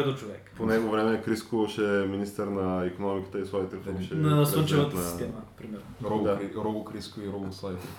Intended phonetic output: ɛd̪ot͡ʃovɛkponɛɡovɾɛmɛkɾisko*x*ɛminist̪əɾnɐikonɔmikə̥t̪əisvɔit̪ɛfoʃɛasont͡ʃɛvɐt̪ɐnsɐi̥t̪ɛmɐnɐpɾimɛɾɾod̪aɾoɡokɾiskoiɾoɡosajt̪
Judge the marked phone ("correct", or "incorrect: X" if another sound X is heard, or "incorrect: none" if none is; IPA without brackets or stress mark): incorrect: ʃ